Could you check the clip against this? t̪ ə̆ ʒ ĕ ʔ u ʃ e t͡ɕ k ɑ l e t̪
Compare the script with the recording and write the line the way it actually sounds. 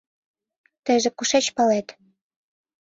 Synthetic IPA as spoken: t̪ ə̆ ʒ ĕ k u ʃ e t͡ɕ p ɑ l e t̪